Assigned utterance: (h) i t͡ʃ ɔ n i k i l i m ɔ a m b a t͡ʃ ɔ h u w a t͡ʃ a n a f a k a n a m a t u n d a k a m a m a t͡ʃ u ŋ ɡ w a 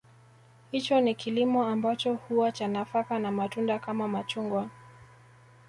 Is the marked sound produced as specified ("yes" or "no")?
yes